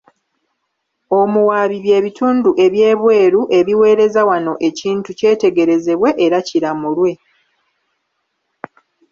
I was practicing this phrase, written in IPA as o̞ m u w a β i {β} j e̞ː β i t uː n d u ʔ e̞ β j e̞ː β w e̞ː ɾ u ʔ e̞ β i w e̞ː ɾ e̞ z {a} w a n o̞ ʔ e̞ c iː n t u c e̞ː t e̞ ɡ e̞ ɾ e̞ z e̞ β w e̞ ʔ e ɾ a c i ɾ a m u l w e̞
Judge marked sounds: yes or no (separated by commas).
yes, yes